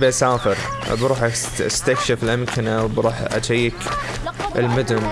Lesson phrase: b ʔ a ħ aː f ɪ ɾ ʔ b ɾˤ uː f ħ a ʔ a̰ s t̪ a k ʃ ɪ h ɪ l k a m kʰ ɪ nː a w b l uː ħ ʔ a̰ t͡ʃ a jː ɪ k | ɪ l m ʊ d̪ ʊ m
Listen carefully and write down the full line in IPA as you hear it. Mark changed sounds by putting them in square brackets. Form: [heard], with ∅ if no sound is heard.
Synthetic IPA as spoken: b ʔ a [s] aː f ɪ ɾ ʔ b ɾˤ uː [∅] ħ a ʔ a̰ s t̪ a k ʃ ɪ [f] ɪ l [ʔ] a m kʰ ɪ [n] a w b [ɾ] uː ħ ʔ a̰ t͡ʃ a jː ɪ k | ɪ l m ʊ d̪ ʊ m